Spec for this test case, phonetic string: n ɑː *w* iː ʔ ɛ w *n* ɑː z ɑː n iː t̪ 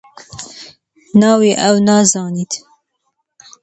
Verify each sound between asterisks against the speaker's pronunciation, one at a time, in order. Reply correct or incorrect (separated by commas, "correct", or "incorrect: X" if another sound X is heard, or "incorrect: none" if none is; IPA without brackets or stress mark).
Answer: correct, correct